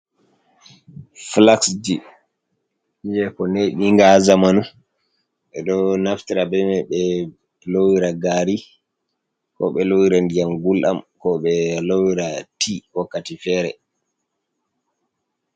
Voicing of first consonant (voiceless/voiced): voiceless